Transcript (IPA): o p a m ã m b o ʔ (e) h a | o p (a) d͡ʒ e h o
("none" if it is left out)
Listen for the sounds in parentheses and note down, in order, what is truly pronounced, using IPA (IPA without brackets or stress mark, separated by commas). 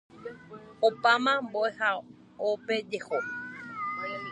e, e